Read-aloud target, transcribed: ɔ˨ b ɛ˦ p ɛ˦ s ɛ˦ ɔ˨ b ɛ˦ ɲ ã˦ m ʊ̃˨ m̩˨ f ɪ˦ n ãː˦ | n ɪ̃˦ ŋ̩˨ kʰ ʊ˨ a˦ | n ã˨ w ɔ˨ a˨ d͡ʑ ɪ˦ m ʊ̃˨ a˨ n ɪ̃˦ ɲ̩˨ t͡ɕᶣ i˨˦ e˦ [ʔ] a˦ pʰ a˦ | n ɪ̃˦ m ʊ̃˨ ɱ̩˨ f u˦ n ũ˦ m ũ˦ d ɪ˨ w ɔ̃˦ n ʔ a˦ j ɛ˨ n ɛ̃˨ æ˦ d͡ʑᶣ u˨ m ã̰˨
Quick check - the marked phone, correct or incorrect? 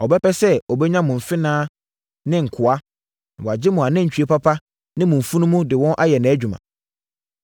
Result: incorrect